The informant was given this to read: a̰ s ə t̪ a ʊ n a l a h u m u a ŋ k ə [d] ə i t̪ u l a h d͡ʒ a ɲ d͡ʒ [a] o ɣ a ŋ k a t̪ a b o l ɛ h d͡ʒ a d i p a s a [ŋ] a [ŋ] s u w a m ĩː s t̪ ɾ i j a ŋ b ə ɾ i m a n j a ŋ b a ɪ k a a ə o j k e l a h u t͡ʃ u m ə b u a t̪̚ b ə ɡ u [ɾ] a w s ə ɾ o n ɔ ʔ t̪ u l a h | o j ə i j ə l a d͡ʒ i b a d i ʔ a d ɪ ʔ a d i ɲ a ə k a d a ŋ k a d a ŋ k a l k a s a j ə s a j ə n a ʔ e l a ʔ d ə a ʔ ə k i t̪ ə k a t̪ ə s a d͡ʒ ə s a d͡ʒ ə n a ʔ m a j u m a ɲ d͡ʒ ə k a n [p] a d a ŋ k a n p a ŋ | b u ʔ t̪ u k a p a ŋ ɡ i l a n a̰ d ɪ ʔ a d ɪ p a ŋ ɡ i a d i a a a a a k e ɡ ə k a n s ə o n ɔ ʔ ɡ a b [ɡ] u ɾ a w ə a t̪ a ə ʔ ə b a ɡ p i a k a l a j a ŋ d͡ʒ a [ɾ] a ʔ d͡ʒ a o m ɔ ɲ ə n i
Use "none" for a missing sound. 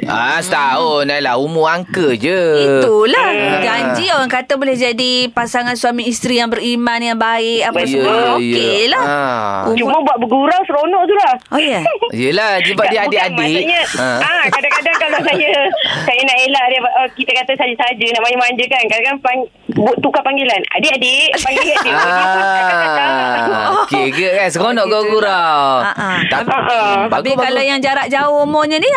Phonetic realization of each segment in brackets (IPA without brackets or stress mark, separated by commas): d͡ʒ, i, ŋ, n, ɾ, k, ɡ, ɾ